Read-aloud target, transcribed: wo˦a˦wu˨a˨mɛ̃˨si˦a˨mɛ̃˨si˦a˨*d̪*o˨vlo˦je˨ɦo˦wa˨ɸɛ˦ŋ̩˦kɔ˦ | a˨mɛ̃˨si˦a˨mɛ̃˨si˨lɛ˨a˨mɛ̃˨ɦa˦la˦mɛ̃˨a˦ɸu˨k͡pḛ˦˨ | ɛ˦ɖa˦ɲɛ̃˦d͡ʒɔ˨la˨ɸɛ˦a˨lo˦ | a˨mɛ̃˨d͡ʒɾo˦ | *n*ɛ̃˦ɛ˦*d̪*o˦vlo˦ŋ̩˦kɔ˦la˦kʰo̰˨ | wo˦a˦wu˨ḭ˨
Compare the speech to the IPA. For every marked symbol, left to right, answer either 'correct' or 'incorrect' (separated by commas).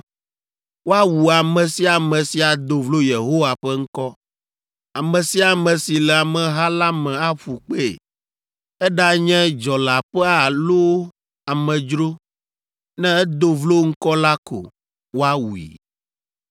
correct, correct, correct